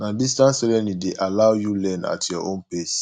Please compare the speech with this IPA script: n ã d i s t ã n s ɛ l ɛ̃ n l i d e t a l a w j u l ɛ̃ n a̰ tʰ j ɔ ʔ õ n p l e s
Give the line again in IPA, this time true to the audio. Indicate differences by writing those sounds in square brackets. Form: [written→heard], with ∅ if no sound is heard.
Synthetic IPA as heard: n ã d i s t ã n s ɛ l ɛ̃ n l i d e [t→ʔ] a l a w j u l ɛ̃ n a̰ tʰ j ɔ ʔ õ n p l e s